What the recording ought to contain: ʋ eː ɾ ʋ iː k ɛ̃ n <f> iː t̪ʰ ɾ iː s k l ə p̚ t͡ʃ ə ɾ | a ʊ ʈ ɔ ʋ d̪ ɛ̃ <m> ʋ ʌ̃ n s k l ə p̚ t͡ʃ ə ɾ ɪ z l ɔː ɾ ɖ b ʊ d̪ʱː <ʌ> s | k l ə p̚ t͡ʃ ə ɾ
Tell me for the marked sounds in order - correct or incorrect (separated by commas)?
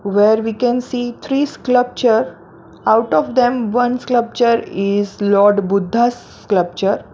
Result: incorrect, correct, incorrect